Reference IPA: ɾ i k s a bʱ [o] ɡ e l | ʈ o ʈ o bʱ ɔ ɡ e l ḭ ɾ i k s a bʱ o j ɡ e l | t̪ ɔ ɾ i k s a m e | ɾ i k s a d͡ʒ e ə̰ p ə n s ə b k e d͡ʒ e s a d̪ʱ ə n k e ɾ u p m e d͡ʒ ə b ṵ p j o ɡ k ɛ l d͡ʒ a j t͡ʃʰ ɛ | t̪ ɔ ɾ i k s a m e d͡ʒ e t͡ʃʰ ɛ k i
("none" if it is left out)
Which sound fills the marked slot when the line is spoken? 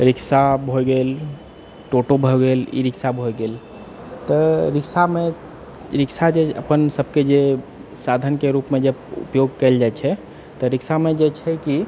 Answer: o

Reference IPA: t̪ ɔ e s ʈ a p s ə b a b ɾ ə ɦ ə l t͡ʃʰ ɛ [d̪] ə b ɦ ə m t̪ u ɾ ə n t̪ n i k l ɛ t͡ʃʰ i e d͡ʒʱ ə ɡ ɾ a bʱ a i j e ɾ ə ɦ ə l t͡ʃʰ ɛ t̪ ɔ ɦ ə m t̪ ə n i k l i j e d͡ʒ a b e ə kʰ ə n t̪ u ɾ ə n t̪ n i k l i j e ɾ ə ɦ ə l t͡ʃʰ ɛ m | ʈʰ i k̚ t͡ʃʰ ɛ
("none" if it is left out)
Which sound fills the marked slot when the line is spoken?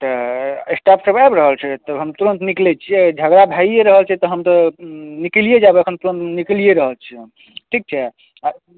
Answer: t̪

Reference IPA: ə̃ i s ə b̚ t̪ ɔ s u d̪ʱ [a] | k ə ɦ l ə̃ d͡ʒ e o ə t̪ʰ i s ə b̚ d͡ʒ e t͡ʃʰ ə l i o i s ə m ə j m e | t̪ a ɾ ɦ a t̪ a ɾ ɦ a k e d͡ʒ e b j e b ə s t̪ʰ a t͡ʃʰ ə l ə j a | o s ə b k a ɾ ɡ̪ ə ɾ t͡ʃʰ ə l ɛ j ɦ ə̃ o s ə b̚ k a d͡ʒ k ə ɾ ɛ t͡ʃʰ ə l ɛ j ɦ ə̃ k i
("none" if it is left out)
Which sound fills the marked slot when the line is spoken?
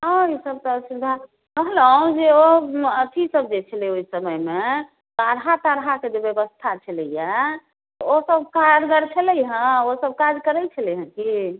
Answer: a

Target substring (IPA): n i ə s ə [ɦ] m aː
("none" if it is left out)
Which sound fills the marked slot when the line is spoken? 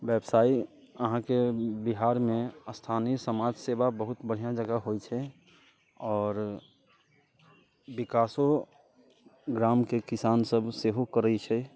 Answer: none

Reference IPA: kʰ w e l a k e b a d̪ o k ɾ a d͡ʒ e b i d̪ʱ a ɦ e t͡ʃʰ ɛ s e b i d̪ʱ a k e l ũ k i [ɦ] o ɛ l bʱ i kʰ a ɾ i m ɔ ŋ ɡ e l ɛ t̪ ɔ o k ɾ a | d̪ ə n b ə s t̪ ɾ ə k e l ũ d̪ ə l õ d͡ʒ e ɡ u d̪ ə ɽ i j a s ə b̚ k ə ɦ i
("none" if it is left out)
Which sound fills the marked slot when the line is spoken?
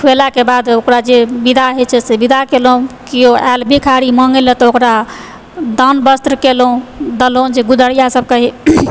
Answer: none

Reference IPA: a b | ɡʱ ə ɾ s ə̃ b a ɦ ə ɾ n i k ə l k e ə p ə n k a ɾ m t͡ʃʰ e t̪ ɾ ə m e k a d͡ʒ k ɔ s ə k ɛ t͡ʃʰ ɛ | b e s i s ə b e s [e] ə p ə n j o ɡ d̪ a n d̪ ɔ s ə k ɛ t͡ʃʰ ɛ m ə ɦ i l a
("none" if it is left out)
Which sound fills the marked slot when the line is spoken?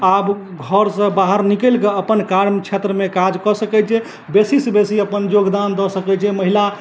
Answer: i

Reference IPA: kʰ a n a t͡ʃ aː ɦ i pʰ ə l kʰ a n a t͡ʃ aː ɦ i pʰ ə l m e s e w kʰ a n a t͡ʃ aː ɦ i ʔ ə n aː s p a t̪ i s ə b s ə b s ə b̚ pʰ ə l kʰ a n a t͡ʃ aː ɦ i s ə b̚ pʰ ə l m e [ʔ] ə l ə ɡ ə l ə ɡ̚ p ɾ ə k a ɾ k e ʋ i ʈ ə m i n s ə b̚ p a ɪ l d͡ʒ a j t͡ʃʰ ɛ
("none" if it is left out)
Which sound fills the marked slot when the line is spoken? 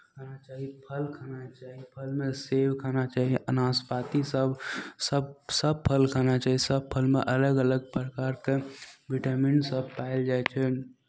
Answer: ʔ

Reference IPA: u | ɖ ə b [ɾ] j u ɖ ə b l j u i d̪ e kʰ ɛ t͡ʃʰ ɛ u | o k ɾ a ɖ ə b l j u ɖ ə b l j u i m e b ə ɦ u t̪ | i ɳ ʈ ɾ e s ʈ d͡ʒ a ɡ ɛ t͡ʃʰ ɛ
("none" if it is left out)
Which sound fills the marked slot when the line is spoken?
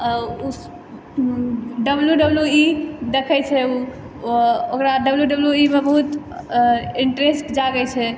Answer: l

